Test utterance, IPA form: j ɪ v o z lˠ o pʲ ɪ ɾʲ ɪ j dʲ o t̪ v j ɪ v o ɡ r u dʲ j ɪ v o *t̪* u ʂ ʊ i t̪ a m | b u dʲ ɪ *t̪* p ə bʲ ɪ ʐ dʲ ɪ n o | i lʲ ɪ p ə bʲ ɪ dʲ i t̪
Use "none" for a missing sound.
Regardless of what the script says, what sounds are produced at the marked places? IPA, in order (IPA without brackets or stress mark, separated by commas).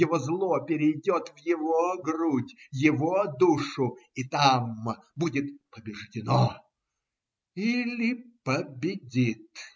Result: d̪, t̪